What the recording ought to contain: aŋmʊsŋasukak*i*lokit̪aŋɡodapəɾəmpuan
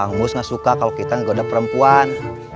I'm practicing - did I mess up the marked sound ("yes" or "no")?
yes